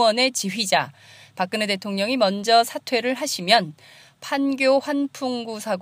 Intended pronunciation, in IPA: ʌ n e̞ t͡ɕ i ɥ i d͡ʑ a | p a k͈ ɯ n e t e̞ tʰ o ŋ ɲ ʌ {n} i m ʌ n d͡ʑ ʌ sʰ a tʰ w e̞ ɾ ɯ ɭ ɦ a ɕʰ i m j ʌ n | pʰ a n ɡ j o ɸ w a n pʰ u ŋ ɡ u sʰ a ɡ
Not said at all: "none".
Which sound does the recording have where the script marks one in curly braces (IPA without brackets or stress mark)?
ŋ